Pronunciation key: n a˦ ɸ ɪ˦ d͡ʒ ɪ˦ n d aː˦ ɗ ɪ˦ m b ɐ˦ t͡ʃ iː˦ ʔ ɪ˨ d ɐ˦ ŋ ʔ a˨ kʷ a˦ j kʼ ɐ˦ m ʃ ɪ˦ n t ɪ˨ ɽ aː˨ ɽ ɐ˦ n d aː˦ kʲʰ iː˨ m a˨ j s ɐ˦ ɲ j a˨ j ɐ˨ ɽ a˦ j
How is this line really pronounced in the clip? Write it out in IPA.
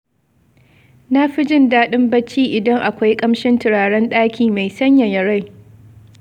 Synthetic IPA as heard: n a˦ ɸ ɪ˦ d͡ʒ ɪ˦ n d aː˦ ɗ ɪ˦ m b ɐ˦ t͡ʃ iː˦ ʔ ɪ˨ d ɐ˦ ŋ ʔ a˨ kʷ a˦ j kʼ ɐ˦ m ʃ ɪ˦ n t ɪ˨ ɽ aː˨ ɽ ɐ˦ n ɗ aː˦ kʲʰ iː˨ m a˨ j s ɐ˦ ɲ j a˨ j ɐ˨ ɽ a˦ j